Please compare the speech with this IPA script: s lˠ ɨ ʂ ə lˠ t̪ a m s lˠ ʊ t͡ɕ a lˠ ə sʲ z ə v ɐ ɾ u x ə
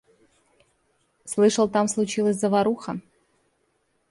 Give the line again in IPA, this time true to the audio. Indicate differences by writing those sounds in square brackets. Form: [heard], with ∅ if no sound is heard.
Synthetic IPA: s lˠ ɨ ʂ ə lˠ t̪ a m s lˠ ʊ t͡ɕ [i] lˠ ə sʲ z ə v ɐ ɾ u x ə

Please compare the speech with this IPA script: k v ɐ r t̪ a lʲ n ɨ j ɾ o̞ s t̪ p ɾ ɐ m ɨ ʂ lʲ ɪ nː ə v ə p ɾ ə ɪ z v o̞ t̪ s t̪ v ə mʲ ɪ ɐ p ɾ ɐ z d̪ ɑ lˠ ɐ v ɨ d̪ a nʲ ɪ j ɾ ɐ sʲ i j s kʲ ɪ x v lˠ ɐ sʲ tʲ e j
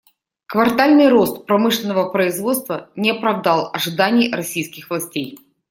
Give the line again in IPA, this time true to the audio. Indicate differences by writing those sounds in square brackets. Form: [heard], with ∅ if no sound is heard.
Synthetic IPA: k v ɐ r t̪ a lʲ n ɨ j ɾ o̞ s t̪ p ɾ ɐ m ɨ ʂ lʲ ɪ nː ə v ə p ɾ ə ɪ z v o̞ t̪ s t̪ v ə [nʲ] ɪ ɐ p ɾ ɐ [v] d̪ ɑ lˠ ɐ [ʐ] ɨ d̪ a nʲ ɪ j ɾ ɐ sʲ i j s kʲ ɪ x v lˠ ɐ sʲ tʲ e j

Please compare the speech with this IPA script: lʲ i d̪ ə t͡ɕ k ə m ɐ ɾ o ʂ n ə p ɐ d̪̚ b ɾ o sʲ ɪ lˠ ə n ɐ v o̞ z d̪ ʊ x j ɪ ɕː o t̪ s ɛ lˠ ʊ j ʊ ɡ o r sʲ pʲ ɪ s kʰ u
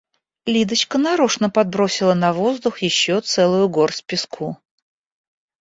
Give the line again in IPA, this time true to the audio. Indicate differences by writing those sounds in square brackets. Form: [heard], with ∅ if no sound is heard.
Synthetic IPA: lʲ i d̪ ə t͡ɕ k ə [n] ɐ ɾ o ʂ n ə p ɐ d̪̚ b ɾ o sʲ ɪ lˠ ə n ɐ v o̞ z d̪ ʊ x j ɪ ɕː o t̪ s ɛ lˠ ʊ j ʊ ɡ o r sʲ pʲ ɪ s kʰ u

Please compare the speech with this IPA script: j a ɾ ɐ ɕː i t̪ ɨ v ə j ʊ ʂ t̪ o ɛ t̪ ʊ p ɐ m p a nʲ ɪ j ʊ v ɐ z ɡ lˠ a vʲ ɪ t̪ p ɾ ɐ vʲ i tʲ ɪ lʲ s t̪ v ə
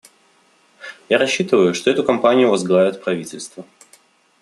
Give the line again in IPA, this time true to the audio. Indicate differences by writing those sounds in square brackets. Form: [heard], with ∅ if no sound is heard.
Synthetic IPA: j a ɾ ɐ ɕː i t̪ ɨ v ə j ʊ ʂ t̪ o ɛ t̪ ʊ [k] ɐ m p a nʲ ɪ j ʊ v ɐ z ɡ lˠ a vʲ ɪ t̪ p ɾ ɐ vʲ i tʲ ɪ lʲ s t̪ v ə

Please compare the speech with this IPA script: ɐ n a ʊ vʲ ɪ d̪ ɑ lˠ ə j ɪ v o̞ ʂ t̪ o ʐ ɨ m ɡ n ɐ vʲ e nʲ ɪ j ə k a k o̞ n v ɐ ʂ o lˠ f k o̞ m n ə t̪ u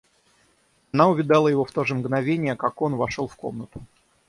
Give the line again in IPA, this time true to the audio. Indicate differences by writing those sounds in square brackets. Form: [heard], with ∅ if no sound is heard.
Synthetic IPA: ɐ n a ʊ vʲ ɪ d̪ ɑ lˠ ə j ɪ v o̞ [f] t̪ o ʐ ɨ m ɡ n ɐ vʲ e nʲ ɪ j ə k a k o̞ n v ɐ ʂ o lˠ f k o̞ m n ə t̪ [ʊ]

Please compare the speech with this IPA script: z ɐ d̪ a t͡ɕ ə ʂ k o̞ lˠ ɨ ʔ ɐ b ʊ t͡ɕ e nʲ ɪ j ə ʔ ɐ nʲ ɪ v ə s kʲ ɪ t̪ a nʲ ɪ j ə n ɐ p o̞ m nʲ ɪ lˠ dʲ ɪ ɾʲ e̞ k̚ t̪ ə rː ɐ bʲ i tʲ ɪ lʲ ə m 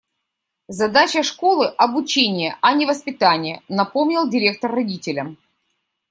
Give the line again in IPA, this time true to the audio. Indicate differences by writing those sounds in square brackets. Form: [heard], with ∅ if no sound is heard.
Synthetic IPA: z ɐ d̪ a t͡ɕ ə ʂ k o̞ lˠ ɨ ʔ ɐ b ʊ t͡ɕ e nʲ ɪ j ə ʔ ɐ nʲ ɪ v ə s [pʲ] ɪ t̪ a nʲ ɪ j ə n ɐ p o̞ m nʲ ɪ lˠ dʲ ɪ ɾʲ e̞ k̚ t̪ ə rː ɐ [dʲ] i tʲ ɪ lʲ ə m

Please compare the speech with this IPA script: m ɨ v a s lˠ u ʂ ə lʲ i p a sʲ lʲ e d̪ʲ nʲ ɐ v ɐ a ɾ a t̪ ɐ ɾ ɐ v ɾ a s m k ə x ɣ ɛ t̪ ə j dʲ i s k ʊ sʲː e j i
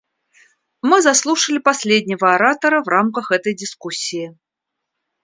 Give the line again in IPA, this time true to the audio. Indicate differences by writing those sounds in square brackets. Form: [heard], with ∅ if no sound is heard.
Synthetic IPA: m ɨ [z] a s lˠ u ʂ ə lʲ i p a sʲ lʲ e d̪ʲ nʲ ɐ v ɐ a ɾ a t̪ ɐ ɾ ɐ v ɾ a [∅] m k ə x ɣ ɛ t̪ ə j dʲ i s k [u] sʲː [i] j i

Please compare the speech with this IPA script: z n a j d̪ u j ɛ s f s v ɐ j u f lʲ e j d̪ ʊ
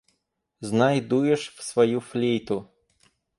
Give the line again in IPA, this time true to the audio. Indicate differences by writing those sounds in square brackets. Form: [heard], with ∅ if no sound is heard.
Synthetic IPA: z n a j d̪ u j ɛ [ʂ] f s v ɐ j u f lʲ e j [t̪] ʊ

